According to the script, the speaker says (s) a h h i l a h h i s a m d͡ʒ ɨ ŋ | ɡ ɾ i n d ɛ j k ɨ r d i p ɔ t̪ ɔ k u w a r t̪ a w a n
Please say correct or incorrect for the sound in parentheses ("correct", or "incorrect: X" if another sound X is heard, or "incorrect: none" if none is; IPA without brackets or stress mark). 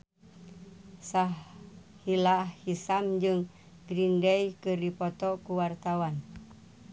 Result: correct